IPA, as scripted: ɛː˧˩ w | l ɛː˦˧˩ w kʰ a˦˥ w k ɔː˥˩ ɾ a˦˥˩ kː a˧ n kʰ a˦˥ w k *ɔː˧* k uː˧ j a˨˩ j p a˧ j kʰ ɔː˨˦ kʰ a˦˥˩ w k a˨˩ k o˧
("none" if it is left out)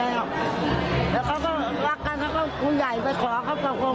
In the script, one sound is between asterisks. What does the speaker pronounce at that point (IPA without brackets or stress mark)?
ɔː˥˩